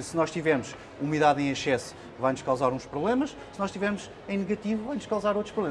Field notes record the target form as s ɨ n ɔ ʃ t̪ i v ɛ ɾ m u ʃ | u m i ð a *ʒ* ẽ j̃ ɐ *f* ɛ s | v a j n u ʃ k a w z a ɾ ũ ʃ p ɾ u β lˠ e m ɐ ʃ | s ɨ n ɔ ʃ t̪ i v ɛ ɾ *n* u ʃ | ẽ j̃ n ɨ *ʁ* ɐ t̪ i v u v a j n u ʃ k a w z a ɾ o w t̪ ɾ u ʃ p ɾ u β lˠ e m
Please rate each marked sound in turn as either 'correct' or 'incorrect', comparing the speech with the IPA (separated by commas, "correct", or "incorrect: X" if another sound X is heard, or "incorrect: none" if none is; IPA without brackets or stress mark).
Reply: incorrect: ð, incorrect: ʃ, incorrect: m, incorrect: ɣ